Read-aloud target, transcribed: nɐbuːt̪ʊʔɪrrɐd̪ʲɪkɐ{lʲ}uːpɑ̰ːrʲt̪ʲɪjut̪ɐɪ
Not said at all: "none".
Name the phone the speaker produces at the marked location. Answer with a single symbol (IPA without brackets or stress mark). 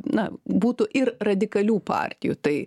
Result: lʲ